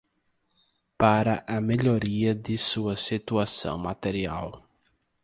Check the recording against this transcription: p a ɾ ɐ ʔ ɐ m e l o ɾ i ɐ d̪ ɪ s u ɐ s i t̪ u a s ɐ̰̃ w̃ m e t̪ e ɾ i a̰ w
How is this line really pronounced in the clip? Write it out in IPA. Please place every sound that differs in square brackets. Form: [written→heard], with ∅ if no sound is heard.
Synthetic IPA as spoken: p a ɾ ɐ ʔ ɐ m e [l→ʎ] o ɾ i ɐ d̪ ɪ s u ɐ s i t̪ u a s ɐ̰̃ w̃ m [e→a] t̪ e ɾ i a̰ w